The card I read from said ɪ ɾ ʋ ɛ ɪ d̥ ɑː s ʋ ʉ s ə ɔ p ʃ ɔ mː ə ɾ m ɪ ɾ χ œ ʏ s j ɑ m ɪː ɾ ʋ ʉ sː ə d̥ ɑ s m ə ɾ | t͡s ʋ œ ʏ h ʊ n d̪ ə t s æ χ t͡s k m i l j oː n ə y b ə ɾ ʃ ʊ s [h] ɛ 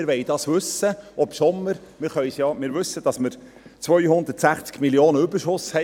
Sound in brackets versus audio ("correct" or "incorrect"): correct